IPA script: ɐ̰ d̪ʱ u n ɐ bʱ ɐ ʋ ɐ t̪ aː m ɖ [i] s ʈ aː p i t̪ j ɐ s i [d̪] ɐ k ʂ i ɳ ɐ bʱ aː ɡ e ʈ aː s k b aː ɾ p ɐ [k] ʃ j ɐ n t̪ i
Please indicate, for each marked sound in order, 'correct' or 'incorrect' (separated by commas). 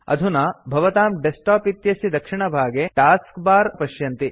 incorrect, correct, incorrect